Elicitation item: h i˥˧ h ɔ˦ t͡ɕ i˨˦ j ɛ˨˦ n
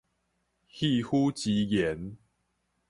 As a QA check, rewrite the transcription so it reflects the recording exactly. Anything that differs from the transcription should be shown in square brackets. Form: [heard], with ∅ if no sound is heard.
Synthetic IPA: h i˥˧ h [u˦] t͡ɕ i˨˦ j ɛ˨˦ n